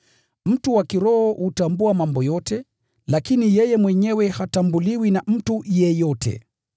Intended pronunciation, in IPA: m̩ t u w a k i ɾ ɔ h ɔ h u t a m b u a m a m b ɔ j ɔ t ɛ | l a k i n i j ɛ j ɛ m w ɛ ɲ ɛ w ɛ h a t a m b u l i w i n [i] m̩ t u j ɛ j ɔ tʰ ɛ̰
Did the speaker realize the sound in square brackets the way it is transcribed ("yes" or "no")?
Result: no